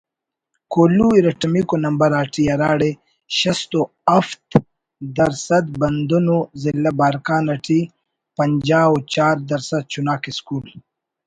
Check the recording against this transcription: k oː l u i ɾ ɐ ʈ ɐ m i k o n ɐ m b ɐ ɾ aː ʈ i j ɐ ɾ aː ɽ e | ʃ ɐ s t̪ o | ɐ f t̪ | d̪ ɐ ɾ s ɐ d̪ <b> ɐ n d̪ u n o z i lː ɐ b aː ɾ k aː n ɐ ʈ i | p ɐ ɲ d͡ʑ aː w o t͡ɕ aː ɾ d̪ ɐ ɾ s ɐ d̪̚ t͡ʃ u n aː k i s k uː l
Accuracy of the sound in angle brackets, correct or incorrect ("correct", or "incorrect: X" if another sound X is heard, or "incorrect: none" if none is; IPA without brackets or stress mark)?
correct